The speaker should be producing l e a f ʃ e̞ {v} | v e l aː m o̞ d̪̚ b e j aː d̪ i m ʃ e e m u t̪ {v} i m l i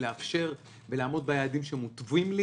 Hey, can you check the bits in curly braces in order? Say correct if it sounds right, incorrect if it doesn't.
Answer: incorrect: ʁ, correct

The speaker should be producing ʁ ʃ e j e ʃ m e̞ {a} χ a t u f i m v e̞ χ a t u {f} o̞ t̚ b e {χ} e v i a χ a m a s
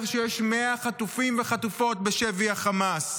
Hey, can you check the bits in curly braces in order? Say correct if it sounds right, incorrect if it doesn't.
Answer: correct, correct, incorrect: ʃ

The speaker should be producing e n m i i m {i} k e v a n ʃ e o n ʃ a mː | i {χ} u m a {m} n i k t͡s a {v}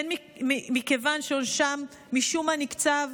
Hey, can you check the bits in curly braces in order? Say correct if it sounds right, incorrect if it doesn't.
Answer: correct, incorrect: ʃ, incorrect: none, correct

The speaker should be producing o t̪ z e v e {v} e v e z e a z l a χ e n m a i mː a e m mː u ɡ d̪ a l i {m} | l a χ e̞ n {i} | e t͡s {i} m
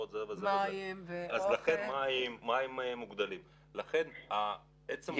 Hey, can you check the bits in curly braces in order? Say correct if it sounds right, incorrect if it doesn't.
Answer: incorrect: z, correct, incorrect: a, incorrect: e

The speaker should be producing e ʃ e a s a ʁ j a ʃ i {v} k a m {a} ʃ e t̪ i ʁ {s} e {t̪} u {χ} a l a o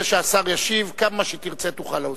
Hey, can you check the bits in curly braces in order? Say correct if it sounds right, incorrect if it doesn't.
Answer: correct, correct, incorrect: t͡s, correct, correct

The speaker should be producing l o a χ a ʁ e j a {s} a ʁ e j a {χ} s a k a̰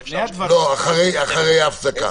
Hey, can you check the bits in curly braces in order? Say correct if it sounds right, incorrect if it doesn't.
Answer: incorrect: χ, incorrect: f

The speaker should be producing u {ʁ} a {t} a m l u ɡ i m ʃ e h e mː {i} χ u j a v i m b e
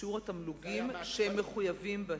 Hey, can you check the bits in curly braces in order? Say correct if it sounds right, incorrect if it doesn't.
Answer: correct, correct, incorrect: e

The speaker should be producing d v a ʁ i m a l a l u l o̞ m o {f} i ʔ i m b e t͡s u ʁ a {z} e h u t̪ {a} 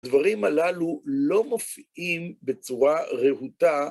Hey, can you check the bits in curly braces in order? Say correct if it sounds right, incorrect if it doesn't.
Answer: correct, incorrect: ʁ, correct

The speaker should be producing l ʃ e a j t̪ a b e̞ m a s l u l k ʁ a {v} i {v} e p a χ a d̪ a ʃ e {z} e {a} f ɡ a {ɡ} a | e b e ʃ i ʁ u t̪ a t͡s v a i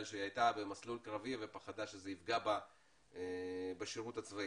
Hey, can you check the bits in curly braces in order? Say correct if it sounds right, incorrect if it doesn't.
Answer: correct, correct, correct, incorrect: i, incorrect: b

